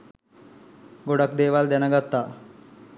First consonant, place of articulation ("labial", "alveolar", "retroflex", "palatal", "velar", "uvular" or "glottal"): velar